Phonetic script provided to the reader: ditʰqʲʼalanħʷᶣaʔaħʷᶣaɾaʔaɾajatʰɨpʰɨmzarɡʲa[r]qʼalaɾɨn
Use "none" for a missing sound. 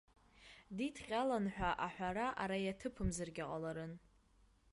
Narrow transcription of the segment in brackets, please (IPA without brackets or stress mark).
none